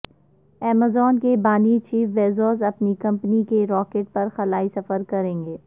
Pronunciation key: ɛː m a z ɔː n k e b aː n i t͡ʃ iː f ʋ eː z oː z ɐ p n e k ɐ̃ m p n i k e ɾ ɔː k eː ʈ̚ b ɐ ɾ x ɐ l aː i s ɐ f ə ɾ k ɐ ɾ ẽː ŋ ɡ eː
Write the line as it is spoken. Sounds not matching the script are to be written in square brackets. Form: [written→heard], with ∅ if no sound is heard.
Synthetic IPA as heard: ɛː m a z ɔː n k e b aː n i t͡ʃ iː f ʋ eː z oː z ɐ p n [e→i] k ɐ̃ m p n i k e ɾ ɔː k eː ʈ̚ [b→p] ɐ ɾ x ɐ l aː i s ɐ f ə ɾ k ɐ ɾ ẽː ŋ ɡ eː